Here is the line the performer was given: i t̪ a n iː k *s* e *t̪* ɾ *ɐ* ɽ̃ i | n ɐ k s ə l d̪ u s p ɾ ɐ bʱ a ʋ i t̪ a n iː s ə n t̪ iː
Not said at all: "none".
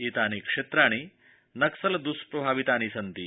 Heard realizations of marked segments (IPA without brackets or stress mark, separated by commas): ʂ, t̪, a